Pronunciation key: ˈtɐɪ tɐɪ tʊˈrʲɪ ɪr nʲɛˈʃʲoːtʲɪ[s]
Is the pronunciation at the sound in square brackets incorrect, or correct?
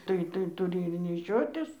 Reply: correct